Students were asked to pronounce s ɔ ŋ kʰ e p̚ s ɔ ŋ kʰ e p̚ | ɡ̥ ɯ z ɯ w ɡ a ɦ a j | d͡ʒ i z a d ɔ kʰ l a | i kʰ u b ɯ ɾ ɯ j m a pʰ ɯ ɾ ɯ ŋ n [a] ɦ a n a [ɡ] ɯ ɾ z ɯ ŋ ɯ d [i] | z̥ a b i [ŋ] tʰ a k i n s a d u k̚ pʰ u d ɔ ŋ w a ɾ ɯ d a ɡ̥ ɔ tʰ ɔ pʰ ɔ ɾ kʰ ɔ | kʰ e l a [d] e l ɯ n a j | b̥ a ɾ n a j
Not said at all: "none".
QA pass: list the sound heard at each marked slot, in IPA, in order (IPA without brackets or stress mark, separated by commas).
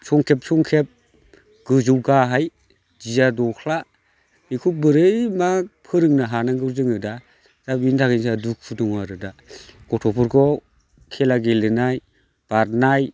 a, ɡ, a, n, ɡ